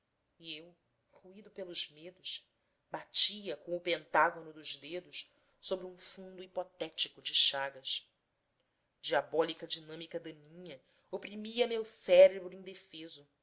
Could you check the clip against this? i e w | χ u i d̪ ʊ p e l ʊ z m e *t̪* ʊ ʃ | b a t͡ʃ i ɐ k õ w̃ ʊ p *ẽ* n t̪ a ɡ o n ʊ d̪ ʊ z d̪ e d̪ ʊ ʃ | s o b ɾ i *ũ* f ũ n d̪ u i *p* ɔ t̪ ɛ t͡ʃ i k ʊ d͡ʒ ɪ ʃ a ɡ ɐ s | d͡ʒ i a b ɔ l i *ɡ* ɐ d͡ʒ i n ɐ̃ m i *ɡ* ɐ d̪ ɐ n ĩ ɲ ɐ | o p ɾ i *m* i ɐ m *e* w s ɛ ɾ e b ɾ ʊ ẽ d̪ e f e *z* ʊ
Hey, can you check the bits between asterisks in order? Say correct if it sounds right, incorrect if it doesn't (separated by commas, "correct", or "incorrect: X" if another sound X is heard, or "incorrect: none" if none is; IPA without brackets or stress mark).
incorrect: d̪, correct, correct, correct, incorrect: k, incorrect: k, correct, correct, correct